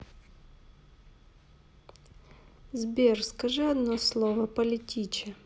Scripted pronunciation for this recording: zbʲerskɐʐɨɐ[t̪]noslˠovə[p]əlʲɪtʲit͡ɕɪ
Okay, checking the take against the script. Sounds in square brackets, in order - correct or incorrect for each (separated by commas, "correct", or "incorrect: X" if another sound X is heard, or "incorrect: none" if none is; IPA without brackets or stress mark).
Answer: incorrect: d̪, correct